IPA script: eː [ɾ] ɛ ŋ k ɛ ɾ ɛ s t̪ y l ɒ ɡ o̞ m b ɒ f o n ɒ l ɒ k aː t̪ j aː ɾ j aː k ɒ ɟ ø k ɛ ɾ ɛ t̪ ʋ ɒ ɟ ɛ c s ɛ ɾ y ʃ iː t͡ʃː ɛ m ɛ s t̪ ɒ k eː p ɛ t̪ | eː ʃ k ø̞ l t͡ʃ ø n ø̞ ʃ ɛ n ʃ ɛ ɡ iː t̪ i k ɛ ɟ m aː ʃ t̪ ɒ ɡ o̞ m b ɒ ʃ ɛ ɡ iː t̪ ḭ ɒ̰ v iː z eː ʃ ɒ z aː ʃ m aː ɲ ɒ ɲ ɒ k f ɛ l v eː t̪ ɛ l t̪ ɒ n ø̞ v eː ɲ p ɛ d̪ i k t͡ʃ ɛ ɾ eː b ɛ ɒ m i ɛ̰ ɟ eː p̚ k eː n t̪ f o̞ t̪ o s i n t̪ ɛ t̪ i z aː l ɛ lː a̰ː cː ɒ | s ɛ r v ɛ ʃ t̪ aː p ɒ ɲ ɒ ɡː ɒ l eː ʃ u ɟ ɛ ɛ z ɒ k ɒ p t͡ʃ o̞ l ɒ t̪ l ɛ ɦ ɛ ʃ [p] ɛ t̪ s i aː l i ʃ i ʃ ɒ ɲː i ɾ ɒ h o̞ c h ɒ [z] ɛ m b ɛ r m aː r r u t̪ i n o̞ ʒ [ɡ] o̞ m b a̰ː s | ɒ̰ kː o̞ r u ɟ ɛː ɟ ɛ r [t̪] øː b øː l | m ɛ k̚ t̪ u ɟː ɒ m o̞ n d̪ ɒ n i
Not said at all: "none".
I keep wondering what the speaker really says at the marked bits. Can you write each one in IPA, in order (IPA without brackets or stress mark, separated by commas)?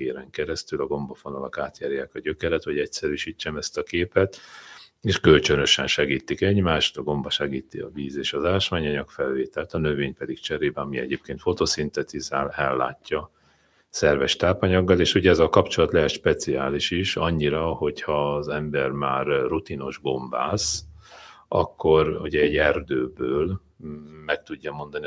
ɾ, p, z, ɡ, d̪